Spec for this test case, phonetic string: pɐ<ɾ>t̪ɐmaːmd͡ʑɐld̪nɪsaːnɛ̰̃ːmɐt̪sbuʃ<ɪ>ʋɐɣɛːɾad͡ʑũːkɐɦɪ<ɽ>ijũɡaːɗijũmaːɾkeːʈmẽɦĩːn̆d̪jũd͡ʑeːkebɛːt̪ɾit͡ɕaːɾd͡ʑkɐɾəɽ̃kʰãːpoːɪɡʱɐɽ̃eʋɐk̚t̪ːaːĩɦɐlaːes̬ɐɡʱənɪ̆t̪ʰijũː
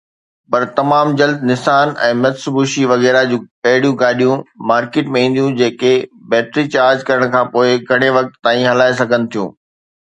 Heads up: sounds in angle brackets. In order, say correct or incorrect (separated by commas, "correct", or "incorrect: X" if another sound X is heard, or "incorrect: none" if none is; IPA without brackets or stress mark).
correct, incorrect: i, correct